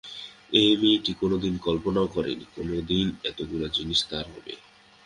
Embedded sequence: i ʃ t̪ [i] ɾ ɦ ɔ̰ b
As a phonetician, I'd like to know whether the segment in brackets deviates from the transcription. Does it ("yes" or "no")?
yes